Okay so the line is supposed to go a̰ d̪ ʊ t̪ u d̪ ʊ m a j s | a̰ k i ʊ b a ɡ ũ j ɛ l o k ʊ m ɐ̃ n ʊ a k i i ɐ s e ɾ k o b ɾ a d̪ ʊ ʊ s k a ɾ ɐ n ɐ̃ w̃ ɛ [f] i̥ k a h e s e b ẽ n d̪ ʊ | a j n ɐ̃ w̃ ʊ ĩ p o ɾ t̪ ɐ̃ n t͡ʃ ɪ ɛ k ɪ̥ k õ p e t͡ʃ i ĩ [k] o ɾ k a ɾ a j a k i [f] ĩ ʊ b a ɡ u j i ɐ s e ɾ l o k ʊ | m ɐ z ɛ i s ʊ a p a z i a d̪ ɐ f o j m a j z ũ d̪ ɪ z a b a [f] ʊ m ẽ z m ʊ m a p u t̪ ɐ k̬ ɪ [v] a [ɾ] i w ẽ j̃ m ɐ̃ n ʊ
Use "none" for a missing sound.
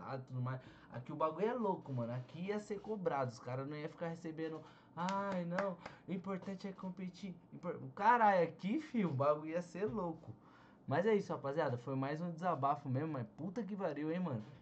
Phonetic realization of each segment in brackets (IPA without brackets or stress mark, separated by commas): f, p, f, f, v, ɾ